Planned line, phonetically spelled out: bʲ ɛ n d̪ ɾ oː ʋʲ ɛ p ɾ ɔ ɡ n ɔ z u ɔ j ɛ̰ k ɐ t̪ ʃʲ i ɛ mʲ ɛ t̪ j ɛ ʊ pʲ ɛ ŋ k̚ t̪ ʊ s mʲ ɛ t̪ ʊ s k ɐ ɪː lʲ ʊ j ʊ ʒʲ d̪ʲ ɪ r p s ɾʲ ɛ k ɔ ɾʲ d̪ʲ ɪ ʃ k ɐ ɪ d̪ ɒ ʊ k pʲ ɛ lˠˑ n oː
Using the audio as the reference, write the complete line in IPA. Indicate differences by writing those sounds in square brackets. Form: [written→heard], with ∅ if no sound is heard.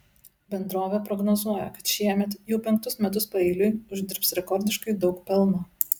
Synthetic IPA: bʲ ɛ n d̪ ɾ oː ʋʲ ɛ p ɾ ɔ ɡ n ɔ z u ɔ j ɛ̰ k ɐ t̪ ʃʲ i ɛ mʲ ɛ t̪ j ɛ ʊ pʲ ɛ ŋ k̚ t̪ ʊ s mʲ ɛ t̪ ʊ s [k→p] ɐ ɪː lʲ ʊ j ʊ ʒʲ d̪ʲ ɪ [r→ɾ] p s ɾʲ ɛ k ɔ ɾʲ d̪ʲ ɪ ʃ k ɐ ɪ d̪ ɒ ʊ k pʲ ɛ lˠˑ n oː